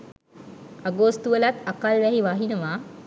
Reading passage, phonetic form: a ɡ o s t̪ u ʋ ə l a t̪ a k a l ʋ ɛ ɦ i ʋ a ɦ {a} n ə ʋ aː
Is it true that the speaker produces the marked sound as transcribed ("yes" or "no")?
no